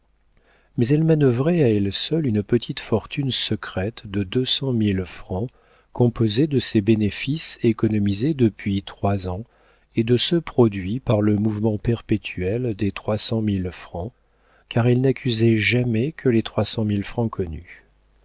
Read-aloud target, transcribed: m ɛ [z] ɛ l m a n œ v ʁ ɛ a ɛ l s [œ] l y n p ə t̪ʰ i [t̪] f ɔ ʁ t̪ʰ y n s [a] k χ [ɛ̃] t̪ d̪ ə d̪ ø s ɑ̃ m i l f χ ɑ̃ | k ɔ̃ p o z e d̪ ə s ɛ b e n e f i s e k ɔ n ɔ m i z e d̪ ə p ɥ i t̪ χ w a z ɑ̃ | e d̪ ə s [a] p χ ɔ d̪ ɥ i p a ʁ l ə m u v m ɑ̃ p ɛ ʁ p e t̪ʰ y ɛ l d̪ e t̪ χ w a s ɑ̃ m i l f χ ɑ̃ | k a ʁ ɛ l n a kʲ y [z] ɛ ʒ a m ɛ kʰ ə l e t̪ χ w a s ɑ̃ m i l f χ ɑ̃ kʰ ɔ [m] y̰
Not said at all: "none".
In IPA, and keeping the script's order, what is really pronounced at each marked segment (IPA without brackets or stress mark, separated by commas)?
z, œ, t̪, ə, ɛ, ə, z, n